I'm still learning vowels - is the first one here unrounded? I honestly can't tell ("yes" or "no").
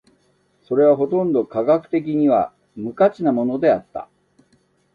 no